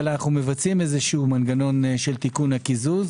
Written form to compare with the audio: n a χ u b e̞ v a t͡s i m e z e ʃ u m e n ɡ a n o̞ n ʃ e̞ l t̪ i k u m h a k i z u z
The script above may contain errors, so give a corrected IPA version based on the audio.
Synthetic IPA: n a χ u m e̞ v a t͡s i m e z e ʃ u m a n ɡ a n o̞ n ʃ e̞ l t̪ i k u n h a k i z u z